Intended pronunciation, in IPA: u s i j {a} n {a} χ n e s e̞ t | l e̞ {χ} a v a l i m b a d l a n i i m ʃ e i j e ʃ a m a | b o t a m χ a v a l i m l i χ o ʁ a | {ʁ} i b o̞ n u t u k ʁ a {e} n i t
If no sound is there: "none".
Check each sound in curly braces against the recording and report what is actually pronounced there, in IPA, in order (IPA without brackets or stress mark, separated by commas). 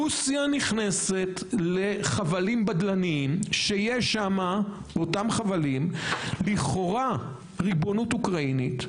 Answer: a, i, χ, ʁ, i